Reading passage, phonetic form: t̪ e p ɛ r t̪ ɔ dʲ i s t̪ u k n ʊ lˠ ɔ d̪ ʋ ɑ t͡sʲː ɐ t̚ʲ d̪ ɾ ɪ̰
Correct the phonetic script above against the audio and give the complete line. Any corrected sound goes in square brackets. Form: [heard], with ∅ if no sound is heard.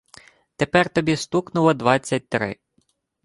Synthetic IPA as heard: t̪ e p ɛ r t̪ ɔ [bʲ] i s t̪ u k n ʊ lˠ ɔ d̪ ʋ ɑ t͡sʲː ɐ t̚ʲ [t̪] ɾ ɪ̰

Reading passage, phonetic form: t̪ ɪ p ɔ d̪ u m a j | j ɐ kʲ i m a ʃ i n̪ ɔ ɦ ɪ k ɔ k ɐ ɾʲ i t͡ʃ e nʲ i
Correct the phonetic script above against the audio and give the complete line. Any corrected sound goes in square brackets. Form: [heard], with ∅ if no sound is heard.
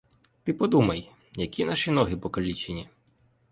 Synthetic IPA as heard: t̪ ɪ p ɔ d̪ u m [ɐ] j | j ɐ kʲ i [n] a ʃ i n̪ ɔ ɦ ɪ [p] ɔ k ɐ [lʲ] i t͡ʃ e nʲ i

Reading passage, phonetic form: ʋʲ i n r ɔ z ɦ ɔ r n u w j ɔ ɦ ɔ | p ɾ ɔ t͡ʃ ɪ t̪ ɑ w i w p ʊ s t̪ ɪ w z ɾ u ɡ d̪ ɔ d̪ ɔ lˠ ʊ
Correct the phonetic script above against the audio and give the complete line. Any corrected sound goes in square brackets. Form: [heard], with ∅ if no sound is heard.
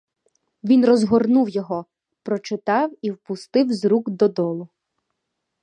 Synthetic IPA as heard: ʋʲ i n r ɔ z ɦ ɔ r n u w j ɔ ɦ ɔ | p ɾ ɔ t͡ʃ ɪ t̪ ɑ w i w p ʊ s t̪ ɪ w z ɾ u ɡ d̪ ɔ d̪ ɔ lˠ ʊ

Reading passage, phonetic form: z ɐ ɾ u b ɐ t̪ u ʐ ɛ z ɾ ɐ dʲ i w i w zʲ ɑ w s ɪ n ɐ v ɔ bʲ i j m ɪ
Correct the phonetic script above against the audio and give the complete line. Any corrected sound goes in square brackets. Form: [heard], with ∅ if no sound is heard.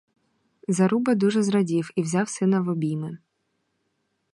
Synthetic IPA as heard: z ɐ ɾ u b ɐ [d̪] u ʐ ɛ z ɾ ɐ dʲ i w i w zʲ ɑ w s ɪ n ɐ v ɔ bʲ i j m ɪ

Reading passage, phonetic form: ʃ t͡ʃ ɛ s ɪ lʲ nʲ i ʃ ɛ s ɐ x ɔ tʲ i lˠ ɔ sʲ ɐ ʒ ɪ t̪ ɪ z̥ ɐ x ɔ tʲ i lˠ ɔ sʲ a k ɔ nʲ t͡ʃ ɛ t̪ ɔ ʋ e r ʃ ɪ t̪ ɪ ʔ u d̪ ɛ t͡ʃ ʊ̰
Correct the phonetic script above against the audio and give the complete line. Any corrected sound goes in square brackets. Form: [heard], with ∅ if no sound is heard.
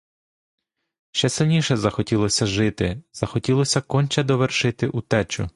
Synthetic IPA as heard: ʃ t͡ʃ ɛ s ɪ lʲ nʲ i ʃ ɛ [z] ɐ x ɔ tʲ i lˠ ɔ sʲ ɐ ʒ ɪ t̪ ɪ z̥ ɐ x ɔ tʲ i lˠ ɔ sʲ [ɐ] k ɔ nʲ t͡ʃ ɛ [d̪] ɔ ʋ e r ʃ ɪ t̪ ɪ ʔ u [t̪] ɛ t͡ʃ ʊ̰

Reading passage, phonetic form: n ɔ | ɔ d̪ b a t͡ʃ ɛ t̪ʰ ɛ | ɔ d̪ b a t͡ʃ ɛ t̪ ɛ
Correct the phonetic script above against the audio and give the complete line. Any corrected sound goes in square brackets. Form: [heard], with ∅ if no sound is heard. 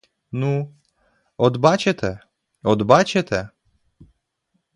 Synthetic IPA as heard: n [u] | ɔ d̪ b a t͡ʃ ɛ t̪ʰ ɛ | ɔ d̪ b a t͡ʃ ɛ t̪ ɛ

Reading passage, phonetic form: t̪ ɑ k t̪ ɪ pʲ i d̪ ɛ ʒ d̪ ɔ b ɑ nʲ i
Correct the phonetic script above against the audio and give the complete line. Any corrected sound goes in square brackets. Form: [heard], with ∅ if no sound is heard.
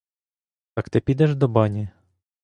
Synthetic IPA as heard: t̪ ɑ k t̪ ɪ pʲ i d̪ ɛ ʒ d̪ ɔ b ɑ nʲ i

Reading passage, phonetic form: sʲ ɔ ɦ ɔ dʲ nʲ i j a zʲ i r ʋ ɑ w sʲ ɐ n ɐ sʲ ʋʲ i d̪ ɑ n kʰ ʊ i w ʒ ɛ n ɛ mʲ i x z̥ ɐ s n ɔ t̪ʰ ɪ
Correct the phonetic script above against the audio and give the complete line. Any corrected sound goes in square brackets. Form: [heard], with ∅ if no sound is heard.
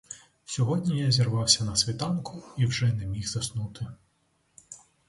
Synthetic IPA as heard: sʲ ɔ ɦ ɔ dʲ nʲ i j a zʲ i r ʋ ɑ w sʲ ɐ n ɐ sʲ ʋʲ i [t̪] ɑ n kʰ ʊ i w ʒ ɛ n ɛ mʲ i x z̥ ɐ s n [u] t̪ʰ ɪ

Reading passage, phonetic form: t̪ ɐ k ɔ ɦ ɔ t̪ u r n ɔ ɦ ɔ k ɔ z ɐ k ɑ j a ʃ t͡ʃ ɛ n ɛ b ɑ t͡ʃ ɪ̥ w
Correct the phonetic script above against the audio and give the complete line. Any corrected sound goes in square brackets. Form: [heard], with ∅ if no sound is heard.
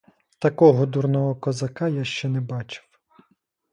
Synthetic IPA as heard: t̪ ɐ k ɔ ɦ ɔ [d̪] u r n ɔ ɦ ɔ k ɔ z ɐ k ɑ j a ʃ t͡ʃ ɛ n ɛ b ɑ t͡ʃ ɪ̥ w

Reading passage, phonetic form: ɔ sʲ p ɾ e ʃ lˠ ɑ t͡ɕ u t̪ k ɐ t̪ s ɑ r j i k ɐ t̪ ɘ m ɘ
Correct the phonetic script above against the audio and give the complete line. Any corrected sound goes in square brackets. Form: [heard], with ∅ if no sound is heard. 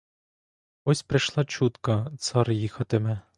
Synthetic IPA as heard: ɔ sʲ p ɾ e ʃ lˠ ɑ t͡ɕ u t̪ k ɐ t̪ s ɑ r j i [x] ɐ t̪ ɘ m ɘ

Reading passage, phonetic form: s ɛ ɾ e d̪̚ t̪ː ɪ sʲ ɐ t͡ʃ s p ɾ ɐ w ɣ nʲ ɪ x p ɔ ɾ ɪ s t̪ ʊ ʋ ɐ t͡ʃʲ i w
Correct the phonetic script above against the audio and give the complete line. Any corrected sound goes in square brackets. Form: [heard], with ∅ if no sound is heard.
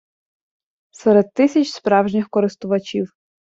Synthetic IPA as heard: s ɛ ɾ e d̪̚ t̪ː ɪ sʲ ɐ t͡ʃ s p ɾ [ɑ] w [ʒ] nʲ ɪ x [k] ɔ ɾ ɪ s t̪ ʊ ʋ ɐ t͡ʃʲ i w

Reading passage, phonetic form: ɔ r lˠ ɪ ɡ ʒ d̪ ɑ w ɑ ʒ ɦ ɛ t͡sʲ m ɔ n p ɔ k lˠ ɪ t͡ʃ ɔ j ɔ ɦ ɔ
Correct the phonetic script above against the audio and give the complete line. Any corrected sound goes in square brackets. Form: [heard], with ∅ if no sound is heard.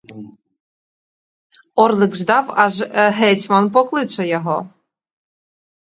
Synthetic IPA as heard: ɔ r lˠ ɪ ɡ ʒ d̪ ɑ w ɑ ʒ ɦ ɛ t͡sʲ m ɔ n p ɔ k lˠ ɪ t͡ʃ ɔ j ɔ ɦ ɔ

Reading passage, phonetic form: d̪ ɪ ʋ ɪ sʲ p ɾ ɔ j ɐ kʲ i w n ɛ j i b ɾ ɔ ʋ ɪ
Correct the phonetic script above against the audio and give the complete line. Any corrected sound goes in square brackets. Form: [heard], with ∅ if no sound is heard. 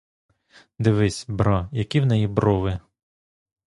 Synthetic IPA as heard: d̪ ɪ ʋ ɪ sʲ [b] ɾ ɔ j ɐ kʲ i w n ɛ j i b ɾ ɔ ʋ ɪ

